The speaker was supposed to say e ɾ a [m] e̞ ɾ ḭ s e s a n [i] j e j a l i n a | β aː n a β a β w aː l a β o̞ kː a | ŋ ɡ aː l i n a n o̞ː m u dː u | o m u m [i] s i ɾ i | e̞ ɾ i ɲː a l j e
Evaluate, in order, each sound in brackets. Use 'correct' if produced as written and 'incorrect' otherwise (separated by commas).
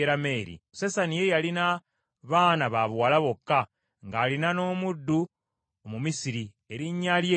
correct, correct, correct